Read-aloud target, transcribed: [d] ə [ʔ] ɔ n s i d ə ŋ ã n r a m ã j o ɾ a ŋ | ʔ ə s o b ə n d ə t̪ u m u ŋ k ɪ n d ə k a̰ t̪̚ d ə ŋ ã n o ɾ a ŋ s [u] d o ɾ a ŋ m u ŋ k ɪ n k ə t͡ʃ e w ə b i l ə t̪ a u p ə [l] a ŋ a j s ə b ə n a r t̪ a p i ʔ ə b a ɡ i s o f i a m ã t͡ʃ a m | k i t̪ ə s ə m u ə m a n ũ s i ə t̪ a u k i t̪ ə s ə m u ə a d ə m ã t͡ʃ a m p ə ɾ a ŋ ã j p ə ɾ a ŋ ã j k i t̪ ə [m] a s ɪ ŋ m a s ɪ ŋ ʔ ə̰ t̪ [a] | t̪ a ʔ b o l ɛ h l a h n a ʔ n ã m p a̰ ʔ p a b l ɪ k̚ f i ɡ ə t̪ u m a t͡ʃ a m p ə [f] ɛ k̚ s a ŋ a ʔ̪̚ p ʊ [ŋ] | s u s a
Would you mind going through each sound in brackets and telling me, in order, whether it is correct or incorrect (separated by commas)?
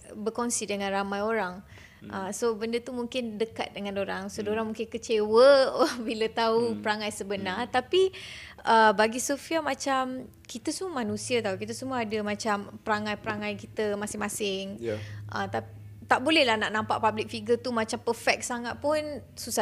incorrect, incorrect, incorrect, incorrect, correct, correct, correct, incorrect